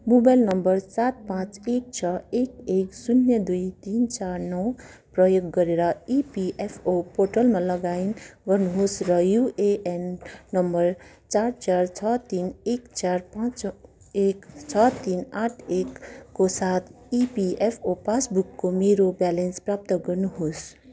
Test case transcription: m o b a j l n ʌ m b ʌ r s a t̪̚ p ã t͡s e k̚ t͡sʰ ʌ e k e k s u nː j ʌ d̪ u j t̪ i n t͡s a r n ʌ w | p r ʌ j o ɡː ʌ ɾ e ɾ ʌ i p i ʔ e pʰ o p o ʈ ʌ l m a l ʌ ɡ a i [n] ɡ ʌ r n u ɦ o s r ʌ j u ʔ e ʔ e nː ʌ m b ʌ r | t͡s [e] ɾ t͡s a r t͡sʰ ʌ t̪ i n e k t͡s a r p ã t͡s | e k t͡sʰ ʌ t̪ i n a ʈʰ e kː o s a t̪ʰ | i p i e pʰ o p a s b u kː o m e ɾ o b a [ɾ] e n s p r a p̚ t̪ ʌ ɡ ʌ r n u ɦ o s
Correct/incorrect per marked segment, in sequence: correct, incorrect: a, incorrect: l

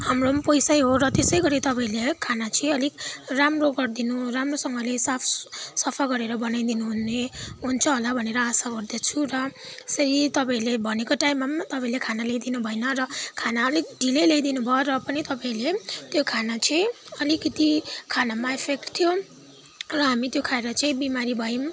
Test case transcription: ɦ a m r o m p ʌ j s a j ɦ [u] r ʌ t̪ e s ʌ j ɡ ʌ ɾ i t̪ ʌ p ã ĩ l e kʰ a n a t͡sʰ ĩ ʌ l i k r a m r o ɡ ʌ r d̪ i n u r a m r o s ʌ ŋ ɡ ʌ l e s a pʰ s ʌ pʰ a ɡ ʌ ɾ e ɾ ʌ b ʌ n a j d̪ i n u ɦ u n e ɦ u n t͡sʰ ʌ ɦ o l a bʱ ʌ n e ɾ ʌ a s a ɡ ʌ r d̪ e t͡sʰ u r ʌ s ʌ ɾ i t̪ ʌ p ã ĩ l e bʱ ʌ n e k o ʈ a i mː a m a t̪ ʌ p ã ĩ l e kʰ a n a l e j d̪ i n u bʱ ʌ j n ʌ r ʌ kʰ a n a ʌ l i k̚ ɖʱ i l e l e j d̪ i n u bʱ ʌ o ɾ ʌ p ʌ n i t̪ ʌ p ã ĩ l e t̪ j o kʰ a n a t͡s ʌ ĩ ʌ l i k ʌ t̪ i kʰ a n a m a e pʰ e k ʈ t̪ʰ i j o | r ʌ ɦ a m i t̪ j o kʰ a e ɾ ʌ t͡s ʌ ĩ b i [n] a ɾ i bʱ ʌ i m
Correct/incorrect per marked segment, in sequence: incorrect: o, incorrect: m

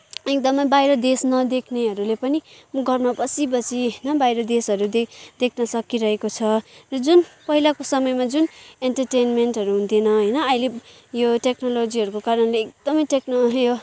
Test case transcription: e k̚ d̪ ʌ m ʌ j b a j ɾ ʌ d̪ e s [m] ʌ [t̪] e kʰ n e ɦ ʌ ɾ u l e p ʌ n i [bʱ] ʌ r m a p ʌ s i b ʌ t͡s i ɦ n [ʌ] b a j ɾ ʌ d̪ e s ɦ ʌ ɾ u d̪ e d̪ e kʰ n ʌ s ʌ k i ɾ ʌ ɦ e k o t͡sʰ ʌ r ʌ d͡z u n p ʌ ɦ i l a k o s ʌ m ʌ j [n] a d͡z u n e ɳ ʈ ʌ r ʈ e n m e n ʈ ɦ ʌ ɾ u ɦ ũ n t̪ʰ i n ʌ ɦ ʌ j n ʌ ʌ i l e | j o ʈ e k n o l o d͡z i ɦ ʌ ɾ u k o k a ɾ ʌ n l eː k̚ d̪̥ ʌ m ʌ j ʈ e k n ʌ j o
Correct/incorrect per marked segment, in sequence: incorrect: n, incorrect: d̪, incorrect: ɡʱ, correct, incorrect: m

